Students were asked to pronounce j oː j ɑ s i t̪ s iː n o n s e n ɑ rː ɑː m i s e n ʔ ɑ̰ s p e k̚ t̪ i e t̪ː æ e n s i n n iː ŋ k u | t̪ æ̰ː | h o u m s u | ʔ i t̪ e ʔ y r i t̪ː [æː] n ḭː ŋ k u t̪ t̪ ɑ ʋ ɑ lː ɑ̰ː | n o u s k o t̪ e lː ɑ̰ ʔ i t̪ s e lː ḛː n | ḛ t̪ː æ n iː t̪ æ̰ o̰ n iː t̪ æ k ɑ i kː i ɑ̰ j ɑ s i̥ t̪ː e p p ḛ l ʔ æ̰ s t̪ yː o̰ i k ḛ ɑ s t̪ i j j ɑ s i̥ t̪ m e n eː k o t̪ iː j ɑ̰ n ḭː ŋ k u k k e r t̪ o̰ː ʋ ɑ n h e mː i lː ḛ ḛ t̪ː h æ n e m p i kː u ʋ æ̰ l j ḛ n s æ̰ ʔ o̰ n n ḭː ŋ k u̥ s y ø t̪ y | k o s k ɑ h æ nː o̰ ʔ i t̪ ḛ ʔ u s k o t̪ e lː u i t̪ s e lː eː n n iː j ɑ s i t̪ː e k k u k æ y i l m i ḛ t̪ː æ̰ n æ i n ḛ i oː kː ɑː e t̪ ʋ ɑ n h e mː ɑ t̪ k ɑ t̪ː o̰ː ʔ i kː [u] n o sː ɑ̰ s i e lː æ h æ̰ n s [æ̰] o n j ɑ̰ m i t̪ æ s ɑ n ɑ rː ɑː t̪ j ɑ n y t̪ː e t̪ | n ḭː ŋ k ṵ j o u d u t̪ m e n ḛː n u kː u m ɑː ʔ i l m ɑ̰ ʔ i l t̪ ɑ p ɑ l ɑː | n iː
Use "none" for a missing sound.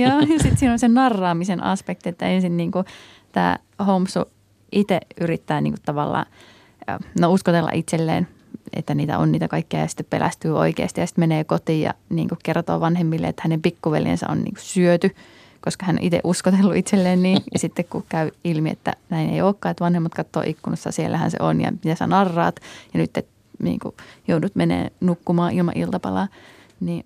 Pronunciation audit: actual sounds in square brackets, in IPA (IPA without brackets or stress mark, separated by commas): æː, u, ḛ